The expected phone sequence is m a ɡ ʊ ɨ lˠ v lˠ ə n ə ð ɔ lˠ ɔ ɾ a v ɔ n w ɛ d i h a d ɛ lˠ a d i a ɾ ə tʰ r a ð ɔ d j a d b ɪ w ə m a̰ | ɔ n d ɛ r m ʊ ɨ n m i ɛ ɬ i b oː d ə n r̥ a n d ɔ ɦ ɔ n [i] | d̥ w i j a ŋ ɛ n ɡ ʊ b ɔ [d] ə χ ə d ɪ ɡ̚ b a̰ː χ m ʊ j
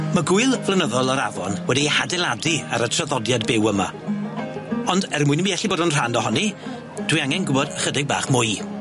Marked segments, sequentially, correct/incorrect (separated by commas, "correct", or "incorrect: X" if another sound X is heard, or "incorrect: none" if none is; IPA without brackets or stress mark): correct, correct